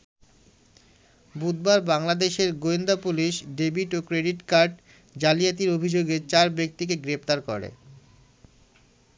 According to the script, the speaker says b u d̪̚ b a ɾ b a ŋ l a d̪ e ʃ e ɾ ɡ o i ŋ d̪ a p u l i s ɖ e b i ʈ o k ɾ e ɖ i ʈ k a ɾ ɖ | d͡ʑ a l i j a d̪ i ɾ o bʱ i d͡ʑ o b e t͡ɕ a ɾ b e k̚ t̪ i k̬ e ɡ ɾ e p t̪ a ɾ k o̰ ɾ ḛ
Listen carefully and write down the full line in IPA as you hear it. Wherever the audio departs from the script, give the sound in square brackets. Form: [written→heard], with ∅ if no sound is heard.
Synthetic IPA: b u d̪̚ b a ɾ b a ŋ l a d̪ e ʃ e ɾ ɡ o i [ŋ→n] d̪ a p u l i [s→ʃ] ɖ e b i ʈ o k ɾ e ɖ i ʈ k a ɾ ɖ | d͡ʑ a l i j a [d̪→t̪] i ɾ o bʱ i d͡ʑ o [b→ɡ] e t͡ɕ a ɾ b e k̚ t̪ i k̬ e ɡ ɾ e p t̪ a ɾ k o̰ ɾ ḛ